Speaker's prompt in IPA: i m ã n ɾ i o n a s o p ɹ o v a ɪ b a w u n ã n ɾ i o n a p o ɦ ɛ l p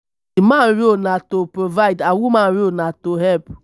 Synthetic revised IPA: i m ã n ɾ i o n a t o p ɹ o v a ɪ d a w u m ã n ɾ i o n a t o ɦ ɛ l p